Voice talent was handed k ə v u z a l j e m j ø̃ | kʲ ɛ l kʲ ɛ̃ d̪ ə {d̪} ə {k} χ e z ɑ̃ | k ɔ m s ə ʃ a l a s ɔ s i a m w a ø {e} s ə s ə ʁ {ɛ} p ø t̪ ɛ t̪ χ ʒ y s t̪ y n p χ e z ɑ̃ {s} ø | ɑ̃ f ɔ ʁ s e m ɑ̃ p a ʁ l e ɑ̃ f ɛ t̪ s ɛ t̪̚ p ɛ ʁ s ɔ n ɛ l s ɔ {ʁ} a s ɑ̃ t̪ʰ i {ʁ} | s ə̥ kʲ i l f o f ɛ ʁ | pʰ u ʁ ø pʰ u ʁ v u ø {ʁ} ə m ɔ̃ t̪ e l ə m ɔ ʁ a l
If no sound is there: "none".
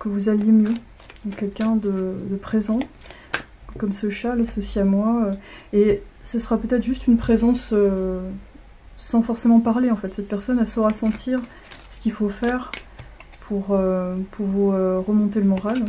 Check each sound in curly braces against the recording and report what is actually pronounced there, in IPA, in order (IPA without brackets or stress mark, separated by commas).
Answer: d̪, p, e, a, s, ʁ, ʁ, ʁ